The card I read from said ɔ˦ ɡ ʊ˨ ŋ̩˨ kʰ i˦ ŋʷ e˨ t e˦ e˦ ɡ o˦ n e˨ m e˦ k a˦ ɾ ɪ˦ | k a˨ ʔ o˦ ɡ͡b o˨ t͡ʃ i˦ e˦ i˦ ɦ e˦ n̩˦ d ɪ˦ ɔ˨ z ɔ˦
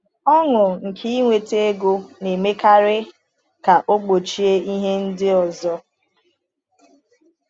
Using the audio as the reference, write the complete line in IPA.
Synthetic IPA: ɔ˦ ŋ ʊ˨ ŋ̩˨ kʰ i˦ ŋʷ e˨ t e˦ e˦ ɡ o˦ n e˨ m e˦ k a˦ ɾ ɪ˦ | k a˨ ʔ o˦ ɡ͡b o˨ t͡ʃ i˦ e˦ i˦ ɦ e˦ n̩˦ d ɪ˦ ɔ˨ z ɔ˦